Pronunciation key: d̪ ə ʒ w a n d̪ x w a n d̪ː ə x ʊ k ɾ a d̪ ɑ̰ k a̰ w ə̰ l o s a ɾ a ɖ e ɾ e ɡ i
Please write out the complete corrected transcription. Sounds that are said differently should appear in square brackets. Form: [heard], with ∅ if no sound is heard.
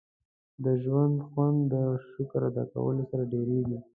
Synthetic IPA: d̪ ə ʒ w a n d̪ x w a n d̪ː ə [ʃ] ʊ k ɾ a d̪ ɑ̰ k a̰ w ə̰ l o s a ɾ a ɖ e ɾ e ɡ i